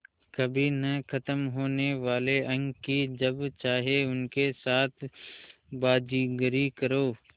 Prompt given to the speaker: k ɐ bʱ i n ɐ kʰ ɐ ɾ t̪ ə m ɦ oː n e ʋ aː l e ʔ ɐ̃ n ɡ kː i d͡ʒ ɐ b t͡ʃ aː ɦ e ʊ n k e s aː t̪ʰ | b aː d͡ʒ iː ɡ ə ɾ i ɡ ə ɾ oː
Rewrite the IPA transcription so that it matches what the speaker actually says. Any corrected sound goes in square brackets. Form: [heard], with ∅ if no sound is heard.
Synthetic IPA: k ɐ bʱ i n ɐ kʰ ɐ [∅] t̪ ə m ɦ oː n e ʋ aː l e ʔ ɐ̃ [ŋ] ɡ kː i d͡ʒ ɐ b t͡ʃ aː ɦ e ʊ n k e s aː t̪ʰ | b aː d͡ʒ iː ɡ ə ɾ i [k] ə ɾ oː